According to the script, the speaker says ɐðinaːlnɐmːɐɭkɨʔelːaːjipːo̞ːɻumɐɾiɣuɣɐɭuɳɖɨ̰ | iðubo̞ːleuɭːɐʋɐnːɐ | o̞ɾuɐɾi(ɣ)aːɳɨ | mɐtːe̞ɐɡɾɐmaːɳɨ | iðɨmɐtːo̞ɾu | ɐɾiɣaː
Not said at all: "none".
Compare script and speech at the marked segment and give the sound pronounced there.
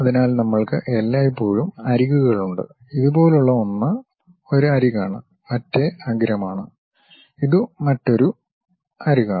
ɣ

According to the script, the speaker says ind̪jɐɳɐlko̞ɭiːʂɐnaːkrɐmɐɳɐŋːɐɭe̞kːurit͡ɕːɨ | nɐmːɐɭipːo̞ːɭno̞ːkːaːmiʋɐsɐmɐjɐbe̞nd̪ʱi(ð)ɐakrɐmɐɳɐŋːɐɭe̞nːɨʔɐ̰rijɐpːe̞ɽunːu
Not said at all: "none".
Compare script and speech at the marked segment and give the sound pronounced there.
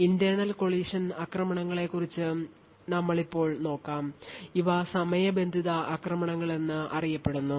ð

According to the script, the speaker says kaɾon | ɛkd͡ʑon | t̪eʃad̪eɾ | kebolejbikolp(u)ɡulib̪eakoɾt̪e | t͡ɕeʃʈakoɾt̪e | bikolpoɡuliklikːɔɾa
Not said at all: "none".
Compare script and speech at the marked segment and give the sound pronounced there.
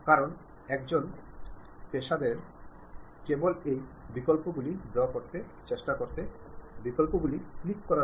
o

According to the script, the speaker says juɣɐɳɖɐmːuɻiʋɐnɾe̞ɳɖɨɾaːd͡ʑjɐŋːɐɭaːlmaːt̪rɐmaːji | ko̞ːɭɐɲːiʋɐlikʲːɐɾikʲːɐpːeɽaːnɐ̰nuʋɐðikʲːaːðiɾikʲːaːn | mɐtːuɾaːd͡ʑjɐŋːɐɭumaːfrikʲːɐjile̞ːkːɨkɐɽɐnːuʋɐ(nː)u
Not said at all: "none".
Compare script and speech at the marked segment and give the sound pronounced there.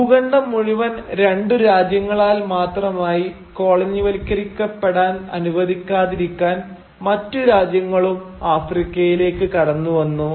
nː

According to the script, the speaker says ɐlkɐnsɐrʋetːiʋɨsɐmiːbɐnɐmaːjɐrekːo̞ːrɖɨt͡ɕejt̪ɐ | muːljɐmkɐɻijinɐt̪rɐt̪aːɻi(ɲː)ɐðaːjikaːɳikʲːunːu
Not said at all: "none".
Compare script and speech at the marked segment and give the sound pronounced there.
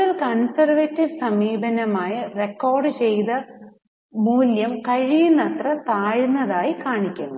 nː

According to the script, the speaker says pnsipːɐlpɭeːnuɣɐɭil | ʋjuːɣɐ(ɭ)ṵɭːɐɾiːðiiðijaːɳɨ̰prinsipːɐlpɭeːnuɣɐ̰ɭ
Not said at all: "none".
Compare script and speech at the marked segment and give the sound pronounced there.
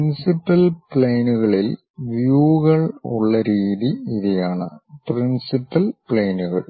ɭ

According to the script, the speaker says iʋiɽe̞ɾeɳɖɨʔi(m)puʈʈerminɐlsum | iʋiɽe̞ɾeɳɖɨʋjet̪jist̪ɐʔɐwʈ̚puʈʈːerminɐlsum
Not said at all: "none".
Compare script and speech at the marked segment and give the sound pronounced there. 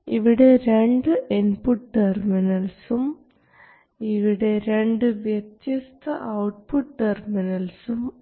n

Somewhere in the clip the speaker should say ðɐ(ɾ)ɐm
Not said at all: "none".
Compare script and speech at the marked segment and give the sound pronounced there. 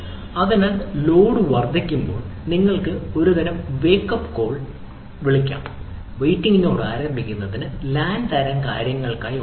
ɾ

